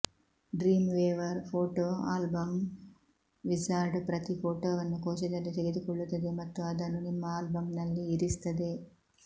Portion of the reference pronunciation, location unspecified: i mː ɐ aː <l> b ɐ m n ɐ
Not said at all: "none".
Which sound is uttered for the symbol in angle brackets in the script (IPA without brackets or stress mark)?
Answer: l